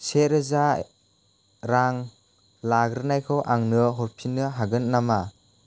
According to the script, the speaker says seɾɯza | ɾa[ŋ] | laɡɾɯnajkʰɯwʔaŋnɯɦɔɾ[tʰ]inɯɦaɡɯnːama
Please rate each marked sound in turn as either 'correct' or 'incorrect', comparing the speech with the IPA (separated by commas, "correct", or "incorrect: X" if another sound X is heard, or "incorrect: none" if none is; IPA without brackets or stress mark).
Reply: correct, incorrect: pʰ